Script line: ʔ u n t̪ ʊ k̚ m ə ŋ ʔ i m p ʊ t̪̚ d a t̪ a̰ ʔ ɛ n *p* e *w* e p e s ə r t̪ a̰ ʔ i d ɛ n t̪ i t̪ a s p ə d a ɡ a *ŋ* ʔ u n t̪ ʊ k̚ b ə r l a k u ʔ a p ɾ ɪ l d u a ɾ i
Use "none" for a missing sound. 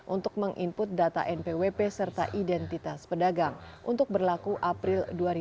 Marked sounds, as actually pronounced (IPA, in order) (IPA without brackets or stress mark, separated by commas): p, w, ŋ